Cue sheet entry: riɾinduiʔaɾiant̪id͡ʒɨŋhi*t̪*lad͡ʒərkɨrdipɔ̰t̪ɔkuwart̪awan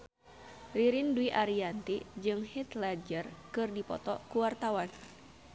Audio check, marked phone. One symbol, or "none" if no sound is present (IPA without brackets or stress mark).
t̪